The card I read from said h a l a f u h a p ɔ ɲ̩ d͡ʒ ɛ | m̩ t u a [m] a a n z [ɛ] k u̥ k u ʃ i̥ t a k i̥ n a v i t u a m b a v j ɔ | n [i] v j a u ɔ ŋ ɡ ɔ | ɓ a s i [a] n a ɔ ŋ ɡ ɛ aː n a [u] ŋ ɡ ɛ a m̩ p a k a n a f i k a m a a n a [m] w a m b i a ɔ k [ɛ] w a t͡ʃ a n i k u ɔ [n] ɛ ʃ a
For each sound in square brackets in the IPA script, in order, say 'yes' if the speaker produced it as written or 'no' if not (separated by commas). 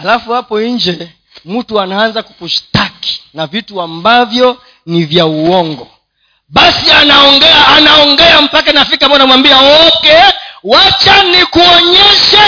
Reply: no, no, yes, yes, no, yes, yes, no